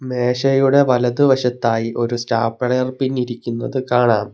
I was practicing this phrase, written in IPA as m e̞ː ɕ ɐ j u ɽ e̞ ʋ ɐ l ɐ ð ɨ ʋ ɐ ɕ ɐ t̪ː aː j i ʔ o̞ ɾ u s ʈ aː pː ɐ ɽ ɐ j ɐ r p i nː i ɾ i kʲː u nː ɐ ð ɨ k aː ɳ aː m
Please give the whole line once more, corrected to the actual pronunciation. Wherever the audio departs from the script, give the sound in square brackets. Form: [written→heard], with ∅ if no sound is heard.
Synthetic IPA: m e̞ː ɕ ɐ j u ɽ e̞ ʋ ɐ l ɐ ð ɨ ʋ ɐ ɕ ɐ t̪ː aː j i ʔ o̞ ɾ u s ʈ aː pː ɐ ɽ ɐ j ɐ r p i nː i ɾ i kʲː u nː ɐ ð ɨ k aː ɳ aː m